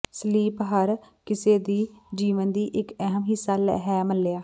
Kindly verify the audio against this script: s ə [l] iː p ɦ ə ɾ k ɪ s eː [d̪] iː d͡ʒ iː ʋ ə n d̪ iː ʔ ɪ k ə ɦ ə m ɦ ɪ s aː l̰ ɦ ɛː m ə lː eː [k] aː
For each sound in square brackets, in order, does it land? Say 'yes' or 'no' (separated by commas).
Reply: yes, yes, no